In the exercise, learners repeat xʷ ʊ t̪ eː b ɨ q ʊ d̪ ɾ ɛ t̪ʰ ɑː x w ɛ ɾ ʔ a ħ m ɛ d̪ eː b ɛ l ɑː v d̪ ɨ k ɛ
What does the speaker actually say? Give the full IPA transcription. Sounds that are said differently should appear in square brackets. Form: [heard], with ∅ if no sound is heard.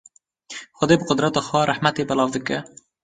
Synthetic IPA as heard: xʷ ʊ [d̪] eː b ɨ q ʊ d̪ ɾ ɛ [t̪] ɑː x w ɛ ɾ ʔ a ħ m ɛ [t̪] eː b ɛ l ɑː v d̪ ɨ k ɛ